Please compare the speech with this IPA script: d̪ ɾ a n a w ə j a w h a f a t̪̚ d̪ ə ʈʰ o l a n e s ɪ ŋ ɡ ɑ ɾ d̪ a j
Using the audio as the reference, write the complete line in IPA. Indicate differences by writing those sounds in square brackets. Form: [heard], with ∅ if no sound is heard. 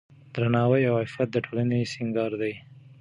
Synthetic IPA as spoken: d̪ ɾ a n [ɑ] w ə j a w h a f a t̪̚ d̪ ə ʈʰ o l a n e s ɪ ŋ ɡ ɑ ɾ d̪ a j